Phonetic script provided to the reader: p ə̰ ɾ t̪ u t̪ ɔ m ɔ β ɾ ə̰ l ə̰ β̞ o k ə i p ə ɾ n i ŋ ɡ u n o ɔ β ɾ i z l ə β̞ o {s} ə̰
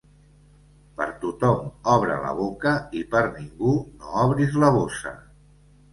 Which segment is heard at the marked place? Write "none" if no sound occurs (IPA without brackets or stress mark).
s